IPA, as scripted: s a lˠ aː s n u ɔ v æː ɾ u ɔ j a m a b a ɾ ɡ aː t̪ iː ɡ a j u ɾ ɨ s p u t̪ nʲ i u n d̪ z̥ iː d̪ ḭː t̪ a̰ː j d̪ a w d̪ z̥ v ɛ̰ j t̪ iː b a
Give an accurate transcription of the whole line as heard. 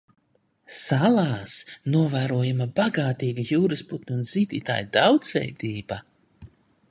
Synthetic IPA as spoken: s a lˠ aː s n u ɔ v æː ɾ u ɔ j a m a b a ɡ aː t̪ iː ɡ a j uː ɾ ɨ s p u t̪ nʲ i u n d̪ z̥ iː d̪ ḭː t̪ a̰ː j d̪ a w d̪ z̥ v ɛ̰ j d̪ iː b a